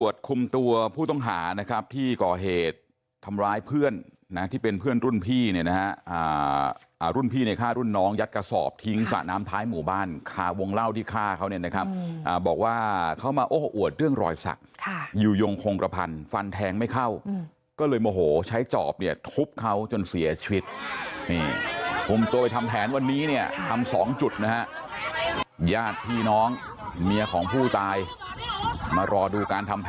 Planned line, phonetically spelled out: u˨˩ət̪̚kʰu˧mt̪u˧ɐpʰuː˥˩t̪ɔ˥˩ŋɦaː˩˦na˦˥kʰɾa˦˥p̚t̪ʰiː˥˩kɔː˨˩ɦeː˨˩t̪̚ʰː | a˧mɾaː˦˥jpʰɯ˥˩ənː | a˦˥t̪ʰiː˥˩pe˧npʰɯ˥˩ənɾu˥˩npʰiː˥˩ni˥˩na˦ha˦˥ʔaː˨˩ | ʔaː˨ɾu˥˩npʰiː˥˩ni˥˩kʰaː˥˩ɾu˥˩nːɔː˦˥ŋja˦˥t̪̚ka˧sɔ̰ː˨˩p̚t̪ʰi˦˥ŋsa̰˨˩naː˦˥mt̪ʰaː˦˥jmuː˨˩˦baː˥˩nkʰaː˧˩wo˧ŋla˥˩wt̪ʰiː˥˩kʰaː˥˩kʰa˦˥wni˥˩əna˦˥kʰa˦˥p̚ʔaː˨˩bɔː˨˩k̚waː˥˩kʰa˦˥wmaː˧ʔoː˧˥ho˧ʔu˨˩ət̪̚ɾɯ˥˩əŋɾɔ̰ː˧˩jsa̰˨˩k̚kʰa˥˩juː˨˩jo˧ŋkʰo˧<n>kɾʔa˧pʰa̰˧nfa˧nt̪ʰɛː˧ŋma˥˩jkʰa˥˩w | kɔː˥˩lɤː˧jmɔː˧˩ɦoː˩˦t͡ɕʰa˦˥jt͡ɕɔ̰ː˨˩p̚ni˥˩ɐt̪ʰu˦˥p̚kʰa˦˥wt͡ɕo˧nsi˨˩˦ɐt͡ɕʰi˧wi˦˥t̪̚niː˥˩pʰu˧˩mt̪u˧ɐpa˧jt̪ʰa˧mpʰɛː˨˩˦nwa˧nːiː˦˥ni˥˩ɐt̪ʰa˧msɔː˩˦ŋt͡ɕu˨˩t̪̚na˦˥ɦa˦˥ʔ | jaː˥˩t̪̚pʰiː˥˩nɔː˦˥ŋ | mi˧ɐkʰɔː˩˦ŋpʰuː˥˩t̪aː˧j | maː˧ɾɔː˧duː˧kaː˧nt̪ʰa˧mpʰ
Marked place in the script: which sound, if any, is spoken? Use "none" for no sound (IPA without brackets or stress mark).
ŋ